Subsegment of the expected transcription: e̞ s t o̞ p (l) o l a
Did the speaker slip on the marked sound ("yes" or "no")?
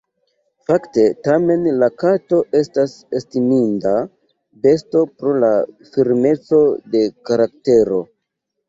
yes